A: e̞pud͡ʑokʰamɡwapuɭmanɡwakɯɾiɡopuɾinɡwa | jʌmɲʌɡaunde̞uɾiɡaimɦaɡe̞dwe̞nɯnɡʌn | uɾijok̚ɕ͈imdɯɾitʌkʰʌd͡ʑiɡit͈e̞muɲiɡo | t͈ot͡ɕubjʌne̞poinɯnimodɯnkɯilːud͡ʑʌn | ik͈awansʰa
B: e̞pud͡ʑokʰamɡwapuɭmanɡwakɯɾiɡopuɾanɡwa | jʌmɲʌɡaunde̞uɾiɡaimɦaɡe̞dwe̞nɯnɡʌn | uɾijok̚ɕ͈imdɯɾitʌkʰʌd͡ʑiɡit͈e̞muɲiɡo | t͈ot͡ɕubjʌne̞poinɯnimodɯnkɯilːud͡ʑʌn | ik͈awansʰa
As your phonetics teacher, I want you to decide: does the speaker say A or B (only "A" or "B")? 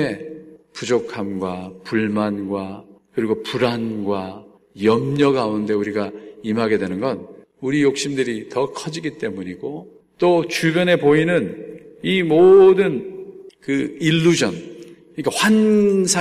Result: B